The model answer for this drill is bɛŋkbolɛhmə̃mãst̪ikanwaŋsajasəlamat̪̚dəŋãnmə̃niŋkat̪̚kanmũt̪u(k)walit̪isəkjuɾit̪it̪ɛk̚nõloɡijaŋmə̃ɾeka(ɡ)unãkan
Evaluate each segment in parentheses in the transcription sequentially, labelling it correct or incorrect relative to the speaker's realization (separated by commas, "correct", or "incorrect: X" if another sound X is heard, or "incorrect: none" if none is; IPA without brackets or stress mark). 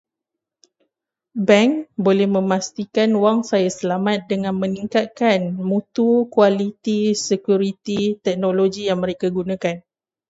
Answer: correct, correct